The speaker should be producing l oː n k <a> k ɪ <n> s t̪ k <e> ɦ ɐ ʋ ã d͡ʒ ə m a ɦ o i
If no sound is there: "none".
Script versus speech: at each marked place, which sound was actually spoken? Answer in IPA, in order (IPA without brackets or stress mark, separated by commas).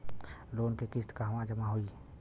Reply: e, none, a